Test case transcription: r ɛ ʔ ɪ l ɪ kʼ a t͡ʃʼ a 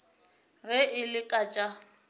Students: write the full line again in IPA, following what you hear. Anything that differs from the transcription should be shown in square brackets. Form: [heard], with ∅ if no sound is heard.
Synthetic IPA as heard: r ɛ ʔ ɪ l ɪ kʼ a t͡ʃʼ a